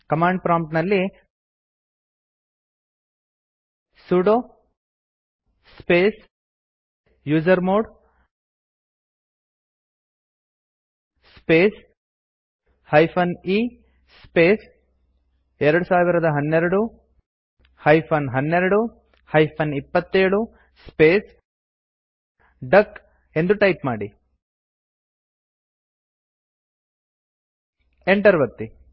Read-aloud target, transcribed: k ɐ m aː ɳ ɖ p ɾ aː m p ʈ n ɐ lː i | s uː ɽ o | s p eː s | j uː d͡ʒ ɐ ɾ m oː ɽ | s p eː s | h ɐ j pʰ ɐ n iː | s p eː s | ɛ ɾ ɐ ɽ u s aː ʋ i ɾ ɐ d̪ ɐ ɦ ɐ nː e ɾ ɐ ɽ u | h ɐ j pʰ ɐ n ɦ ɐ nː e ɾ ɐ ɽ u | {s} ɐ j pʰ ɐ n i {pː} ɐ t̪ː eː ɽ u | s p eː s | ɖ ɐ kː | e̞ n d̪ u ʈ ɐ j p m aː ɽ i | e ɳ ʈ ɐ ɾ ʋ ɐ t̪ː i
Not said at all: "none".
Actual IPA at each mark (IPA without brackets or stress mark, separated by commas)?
h, pː